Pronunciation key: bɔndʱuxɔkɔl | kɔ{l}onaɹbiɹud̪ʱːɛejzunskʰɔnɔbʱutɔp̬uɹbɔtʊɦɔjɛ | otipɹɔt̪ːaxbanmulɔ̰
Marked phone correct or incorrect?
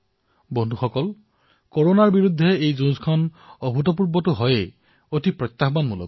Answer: incorrect